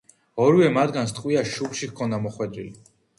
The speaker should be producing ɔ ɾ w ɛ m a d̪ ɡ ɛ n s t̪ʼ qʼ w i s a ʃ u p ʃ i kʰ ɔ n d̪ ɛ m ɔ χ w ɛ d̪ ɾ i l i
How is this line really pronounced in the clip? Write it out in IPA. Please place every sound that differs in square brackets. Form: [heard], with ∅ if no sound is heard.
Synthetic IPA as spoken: ɔ ɾ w ɛ m a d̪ ɡ [a] n s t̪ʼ qʼ w i [∅] a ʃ u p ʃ i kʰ ɔ n d̪ [a] m ɔ χ w ɛ d̪ ɾ i l i